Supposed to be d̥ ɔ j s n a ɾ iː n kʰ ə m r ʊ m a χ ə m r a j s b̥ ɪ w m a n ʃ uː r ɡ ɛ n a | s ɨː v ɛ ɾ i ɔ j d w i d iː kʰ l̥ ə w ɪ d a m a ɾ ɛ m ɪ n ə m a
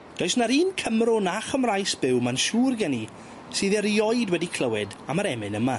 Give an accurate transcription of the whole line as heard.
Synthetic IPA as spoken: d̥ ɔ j s n a ɾ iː n kʰ ə m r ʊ n a χ ə m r a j s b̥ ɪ w m a n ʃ uː r ɡ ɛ n i | s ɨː ð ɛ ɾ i ɔ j d w ɛ d i kʰ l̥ ə w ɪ d a m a ɾ ɛ m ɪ n ə m a